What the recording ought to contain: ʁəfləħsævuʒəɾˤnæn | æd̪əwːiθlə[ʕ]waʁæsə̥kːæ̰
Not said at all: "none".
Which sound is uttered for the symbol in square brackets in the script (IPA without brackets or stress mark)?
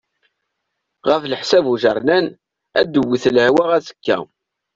ʕ